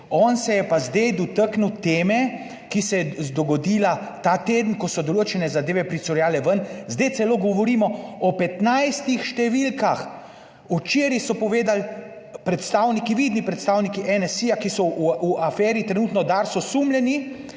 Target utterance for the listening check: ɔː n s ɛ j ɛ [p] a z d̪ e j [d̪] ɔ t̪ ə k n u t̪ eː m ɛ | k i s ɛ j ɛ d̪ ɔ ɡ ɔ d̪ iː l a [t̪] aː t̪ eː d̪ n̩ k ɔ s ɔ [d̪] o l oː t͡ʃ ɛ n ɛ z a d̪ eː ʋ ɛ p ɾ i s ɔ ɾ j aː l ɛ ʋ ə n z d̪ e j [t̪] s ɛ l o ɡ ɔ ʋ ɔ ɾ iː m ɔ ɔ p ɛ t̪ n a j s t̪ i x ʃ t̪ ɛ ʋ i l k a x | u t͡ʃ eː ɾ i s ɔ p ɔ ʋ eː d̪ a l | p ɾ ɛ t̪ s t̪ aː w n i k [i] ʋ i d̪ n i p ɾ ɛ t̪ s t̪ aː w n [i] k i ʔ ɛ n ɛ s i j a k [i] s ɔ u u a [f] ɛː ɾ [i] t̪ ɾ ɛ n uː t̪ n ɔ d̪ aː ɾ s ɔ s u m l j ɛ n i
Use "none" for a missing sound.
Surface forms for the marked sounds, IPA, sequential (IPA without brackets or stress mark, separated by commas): p, d̪, t̪, d̪, t̪, i, i, i, f, i